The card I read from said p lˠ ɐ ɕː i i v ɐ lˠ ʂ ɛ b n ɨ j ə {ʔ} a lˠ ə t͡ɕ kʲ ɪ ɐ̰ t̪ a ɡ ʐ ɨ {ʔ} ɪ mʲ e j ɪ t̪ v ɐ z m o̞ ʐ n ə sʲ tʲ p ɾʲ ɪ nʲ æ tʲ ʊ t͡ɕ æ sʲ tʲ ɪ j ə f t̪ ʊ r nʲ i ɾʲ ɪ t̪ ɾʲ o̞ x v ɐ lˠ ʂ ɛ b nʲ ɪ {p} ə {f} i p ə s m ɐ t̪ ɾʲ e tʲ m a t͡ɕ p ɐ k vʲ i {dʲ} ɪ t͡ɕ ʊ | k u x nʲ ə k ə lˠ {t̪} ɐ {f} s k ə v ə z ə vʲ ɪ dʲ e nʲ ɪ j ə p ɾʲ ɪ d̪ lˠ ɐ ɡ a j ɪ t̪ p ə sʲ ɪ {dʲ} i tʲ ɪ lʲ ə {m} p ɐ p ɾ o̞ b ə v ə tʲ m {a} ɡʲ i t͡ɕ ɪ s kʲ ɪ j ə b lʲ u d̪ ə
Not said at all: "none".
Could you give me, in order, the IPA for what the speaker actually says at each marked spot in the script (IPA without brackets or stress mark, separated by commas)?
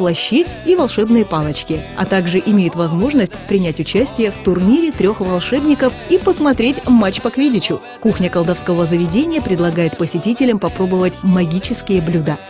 p, ʔ, k, f, dʲ, d̪, f, tʲ, m, ɐ